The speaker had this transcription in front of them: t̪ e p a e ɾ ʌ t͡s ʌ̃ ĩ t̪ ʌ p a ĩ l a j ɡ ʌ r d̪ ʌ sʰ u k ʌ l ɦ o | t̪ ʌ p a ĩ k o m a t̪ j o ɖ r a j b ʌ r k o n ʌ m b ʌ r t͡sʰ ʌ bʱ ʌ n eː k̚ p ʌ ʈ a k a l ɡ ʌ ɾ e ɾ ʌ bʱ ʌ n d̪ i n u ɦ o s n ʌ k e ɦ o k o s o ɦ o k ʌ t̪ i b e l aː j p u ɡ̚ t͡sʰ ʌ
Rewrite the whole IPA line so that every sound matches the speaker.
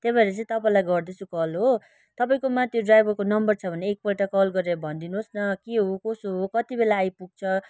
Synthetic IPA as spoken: t̪ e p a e ɾ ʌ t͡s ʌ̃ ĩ t̪ ʌ p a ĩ l a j ɡ ʌ r d̪ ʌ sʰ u k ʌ l ɦ o | t̪ ʌ p a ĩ k o m a t̪ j o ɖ r a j b ʌ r k o n ʌ m b ʌ r t͡sʰ ʌ bʱ ʌ n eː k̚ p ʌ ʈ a k ʌ l ɡ ʌ ɾ e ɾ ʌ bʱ ʌ n d̪ i n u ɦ o s n ʌ k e ɦ o k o s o ɦ o k ʌ t̪ i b e l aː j p u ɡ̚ t͡sʰ ʌ